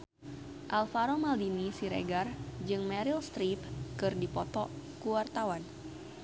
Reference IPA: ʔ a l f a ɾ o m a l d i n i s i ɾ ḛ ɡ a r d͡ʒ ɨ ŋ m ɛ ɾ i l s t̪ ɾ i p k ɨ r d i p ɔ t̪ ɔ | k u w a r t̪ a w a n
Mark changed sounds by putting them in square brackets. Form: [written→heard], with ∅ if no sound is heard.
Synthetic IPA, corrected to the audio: ʔ a l f a ɾ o m a l d i n i s i ɾ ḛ ɡ a r d͡ʒ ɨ ŋ m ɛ ɾ i l s t̪ ɾ i p k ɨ r d i p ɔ t̪ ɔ | k u w a r t̪ a w a n